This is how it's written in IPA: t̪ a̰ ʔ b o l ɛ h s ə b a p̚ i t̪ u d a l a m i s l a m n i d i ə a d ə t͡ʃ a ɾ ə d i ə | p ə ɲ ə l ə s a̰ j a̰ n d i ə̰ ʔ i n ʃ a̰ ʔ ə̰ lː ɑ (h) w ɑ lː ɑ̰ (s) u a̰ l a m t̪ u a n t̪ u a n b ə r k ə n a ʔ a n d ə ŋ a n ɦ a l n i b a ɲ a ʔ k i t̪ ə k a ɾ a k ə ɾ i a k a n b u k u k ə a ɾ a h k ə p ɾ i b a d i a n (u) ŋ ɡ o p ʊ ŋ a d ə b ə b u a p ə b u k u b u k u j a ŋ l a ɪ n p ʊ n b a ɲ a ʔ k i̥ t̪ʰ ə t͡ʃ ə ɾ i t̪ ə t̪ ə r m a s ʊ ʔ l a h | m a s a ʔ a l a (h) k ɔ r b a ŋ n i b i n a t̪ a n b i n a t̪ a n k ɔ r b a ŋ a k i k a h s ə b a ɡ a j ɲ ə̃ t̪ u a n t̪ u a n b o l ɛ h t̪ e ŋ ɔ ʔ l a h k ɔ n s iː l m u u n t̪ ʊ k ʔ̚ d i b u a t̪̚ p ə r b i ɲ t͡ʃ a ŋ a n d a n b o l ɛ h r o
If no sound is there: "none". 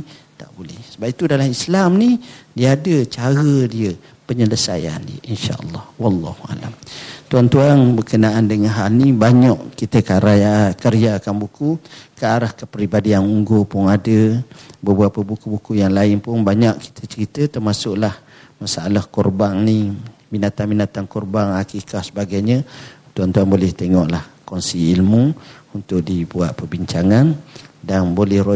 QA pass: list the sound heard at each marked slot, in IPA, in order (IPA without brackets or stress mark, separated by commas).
h, h, u, h